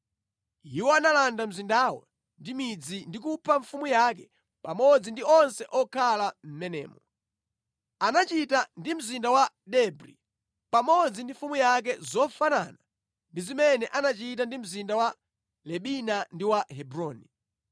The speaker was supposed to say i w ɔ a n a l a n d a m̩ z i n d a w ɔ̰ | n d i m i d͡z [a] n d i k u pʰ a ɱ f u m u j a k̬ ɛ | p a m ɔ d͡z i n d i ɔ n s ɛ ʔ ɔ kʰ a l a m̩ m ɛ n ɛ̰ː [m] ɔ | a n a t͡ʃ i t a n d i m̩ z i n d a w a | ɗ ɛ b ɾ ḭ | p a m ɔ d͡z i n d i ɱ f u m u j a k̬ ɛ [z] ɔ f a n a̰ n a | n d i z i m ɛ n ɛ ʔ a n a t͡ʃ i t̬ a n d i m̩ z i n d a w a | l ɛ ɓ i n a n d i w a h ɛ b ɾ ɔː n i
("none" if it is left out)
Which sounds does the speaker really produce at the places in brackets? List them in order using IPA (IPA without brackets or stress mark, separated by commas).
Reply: i, m, z